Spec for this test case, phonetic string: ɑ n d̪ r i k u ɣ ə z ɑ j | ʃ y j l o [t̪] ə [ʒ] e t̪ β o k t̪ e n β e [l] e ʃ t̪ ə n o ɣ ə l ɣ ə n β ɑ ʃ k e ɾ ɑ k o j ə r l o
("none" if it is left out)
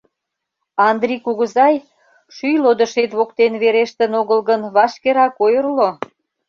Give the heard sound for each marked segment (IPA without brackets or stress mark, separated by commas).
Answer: d̪, ʃ, ɾ